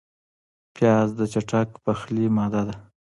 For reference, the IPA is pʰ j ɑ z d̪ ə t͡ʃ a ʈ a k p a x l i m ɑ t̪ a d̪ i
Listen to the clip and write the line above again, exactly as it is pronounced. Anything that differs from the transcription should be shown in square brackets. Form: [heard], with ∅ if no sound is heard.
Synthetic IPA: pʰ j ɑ z d̪ ə t͡ʃ a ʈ a k p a x l i m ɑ [d̪] a d̪ [a]